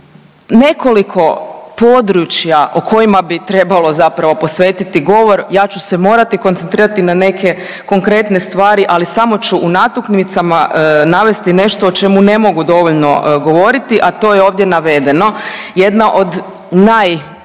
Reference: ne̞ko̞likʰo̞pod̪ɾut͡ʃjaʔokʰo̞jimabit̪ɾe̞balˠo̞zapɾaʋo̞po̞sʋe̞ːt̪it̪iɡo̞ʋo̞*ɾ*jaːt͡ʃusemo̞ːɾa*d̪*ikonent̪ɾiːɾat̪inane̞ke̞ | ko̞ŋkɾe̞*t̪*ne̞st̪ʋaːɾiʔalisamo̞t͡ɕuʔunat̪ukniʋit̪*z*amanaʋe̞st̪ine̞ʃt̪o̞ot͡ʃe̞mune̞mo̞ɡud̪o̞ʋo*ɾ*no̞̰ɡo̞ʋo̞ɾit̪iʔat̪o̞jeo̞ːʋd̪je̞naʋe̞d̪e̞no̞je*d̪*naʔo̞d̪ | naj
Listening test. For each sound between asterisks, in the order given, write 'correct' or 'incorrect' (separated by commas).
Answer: correct, incorrect, correct, incorrect, incorrect, correct